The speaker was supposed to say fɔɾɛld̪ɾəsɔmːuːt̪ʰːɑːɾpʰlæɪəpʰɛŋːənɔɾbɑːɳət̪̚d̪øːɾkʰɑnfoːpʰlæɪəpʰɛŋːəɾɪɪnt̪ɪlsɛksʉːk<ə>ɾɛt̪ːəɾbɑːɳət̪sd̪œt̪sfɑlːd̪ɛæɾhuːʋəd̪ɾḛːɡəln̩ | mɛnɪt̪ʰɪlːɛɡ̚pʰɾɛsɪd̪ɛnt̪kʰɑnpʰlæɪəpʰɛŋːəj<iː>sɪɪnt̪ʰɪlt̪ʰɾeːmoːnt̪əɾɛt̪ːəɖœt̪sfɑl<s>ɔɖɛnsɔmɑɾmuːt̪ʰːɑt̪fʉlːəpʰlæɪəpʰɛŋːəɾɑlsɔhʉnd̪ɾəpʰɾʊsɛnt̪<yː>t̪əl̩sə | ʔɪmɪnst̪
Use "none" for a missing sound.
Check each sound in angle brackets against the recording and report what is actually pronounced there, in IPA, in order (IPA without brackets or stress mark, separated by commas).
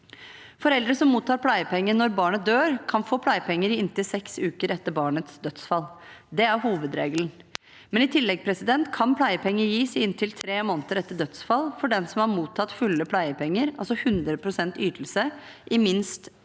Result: ə, iː, f, yː